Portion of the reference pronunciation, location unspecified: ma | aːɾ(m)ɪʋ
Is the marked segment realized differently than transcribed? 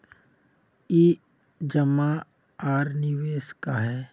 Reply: yes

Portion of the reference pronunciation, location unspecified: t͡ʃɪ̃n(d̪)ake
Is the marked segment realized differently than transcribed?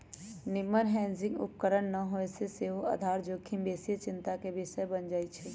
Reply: yes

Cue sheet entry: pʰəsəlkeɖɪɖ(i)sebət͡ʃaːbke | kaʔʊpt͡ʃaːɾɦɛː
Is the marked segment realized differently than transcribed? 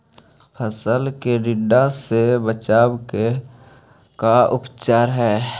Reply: yes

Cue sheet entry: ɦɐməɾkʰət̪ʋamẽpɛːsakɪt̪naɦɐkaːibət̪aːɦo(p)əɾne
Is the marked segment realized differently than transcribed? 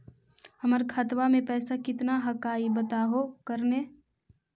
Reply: yes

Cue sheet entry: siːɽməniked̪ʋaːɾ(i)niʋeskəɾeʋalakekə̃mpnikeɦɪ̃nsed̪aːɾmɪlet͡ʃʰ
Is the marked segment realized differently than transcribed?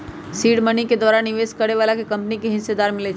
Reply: yes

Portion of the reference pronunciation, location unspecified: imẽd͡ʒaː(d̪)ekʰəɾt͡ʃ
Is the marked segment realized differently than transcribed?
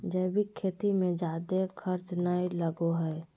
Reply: no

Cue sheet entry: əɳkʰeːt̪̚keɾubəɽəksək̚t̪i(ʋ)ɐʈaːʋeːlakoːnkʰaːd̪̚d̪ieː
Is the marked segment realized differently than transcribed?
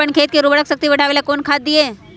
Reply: no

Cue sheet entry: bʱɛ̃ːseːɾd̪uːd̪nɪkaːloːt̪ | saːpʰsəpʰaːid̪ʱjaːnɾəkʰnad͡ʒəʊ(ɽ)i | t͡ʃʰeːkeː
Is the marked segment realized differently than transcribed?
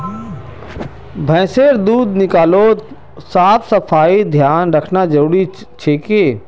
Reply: no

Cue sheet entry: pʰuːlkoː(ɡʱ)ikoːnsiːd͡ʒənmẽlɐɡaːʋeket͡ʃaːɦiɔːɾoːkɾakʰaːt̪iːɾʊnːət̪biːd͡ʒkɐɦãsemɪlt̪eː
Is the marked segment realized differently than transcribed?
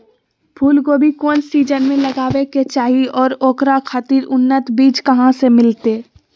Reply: yes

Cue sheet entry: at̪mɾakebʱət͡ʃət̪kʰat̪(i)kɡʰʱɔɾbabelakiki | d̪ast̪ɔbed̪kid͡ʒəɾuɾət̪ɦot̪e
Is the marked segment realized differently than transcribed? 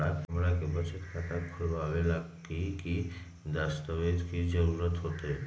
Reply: yes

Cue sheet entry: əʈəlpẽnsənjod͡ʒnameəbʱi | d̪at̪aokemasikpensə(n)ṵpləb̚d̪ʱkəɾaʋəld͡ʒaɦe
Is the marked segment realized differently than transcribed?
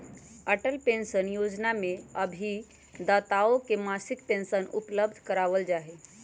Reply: no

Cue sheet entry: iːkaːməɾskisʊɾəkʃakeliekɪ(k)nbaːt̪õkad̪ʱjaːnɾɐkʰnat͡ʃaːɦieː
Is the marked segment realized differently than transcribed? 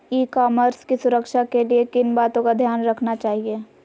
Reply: yes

